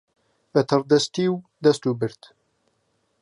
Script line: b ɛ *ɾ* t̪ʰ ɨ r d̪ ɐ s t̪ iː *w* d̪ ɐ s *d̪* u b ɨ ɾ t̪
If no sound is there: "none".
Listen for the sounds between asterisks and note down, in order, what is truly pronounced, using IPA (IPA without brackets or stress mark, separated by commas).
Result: none, w, t̪